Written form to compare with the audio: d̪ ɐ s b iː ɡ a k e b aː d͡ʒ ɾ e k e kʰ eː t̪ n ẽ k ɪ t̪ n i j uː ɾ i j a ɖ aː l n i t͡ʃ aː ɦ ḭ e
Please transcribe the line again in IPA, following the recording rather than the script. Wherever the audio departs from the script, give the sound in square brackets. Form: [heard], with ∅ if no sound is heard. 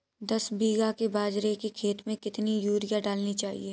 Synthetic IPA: d̪ ɐ s b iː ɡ a k e b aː d͡ʒ ɾ e k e kʰ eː t̪ [m] ẽ k ɪ t̪ n i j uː ɾ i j a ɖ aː l n i t͡ʃ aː ɦ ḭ e